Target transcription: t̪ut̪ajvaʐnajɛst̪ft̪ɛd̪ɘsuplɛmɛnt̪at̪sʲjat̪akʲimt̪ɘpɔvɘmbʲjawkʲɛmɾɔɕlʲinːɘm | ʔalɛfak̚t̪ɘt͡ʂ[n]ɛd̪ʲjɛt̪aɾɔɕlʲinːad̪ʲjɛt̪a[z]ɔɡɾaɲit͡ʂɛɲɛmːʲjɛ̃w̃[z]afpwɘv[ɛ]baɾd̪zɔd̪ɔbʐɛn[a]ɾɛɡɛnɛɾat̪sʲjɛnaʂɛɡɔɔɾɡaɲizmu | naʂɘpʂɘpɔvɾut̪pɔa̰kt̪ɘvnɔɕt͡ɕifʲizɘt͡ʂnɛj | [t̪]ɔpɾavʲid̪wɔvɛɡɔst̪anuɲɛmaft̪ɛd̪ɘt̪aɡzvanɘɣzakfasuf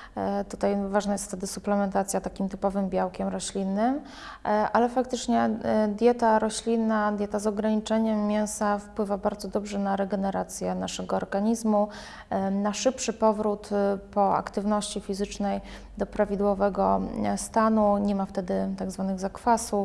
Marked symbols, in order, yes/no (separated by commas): no, yes, no, no, yes, no